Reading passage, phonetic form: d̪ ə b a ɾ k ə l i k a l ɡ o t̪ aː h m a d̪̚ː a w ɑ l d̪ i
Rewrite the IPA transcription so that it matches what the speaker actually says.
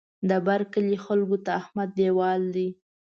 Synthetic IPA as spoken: d̪ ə b a ɾ k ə l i x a l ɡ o t̪ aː h m a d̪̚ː e w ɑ l d̪ i

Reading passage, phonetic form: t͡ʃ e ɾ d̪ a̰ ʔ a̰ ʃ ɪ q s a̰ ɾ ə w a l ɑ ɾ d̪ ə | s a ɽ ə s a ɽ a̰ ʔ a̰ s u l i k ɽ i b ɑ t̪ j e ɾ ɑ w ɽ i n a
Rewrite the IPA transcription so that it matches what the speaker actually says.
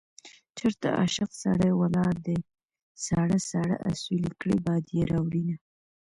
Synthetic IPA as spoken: t͡ʃ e ɾ t̪ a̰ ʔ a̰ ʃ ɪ q s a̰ ɽ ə w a l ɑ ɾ d̪ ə | s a ɽ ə s a ɽ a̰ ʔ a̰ s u l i k ɽ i b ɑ d̪ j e ɾ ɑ w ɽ i n a

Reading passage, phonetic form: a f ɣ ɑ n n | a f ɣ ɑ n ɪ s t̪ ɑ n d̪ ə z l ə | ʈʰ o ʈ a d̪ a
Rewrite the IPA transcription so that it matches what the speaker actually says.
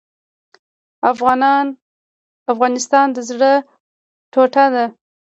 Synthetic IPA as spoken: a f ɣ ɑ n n | a f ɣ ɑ n ɪ s t̪ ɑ n d̪ ə z ɽ ə | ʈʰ o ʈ a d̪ a

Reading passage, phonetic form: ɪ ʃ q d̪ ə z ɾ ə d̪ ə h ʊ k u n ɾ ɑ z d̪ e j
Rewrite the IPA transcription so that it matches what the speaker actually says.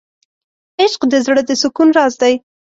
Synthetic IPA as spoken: ɪ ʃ q d̪ ə z ɽ ə d̪ ə s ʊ k u n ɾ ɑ z d̪ a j

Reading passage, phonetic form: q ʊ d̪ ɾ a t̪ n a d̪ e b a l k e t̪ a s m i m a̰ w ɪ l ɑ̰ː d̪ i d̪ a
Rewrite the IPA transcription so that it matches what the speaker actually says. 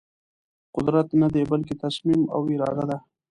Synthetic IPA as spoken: q ʊ d̪ ɾ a t̪ n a d̪ e b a l k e t̪ a s m i m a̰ w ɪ ɾ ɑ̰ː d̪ a d̪ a

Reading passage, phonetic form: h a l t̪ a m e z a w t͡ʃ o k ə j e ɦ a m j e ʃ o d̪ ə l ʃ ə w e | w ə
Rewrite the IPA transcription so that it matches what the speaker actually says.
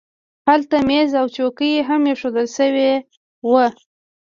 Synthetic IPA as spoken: h a l t̪ a m e z a w t͡ʃ o k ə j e ɦ a m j e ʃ o d̪ ə l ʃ ə w e | w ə

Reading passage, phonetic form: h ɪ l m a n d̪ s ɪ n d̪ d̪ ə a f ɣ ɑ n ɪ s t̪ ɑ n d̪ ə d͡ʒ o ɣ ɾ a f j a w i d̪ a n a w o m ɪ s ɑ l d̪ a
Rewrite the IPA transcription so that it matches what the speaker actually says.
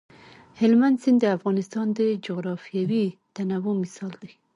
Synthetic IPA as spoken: h ɪ l m a n d̪ s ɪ n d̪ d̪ ə a f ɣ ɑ n ɪ s t̪ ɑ n d̪ ə d͡ʒ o ɣ ɾ ɑ f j a w i t̪ a n a w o m ɪ s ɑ l d̪ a

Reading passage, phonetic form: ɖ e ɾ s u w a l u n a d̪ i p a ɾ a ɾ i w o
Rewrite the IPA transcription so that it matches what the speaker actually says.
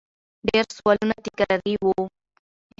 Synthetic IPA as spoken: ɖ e ɾ s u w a l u n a t̪ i k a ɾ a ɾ i w o

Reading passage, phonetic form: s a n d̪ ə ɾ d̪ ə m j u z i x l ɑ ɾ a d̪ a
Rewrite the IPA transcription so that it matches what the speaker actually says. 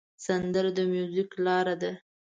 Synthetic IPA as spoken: s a n d̪ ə ɾ d̪ ə m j u z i k l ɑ ɾ a d̪ a

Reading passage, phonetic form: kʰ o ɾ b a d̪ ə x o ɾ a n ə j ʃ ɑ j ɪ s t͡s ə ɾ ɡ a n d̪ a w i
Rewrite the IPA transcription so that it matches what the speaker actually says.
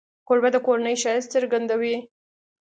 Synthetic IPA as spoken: k o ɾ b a d̪ ə k o ɾ a n ə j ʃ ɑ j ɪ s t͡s ə ɾ ɡ a n d̪ a w i

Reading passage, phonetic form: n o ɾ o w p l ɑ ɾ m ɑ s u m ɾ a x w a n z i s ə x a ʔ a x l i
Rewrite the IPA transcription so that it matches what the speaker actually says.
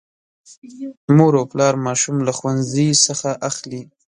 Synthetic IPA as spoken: m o ɾ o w p l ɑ ɾ m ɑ ʃ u m l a x w a n z i s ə x a ʔ a x l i

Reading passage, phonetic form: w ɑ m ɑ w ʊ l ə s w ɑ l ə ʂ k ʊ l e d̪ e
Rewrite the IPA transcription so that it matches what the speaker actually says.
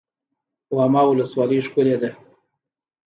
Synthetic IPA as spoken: w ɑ m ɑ w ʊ l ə s w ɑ l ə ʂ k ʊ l e d̪ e

